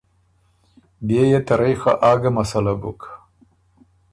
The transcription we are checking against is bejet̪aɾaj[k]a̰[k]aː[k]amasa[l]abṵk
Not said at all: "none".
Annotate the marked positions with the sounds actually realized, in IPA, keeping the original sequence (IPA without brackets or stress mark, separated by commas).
x, ʔ, ɡ, l